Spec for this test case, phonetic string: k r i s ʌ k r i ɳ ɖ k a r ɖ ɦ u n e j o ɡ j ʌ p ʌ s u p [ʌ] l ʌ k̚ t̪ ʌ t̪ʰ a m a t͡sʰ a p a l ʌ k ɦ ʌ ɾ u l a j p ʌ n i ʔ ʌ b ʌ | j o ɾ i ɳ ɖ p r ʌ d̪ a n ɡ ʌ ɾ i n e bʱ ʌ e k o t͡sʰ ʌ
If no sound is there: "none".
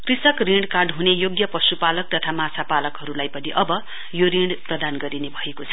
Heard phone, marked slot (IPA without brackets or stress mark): a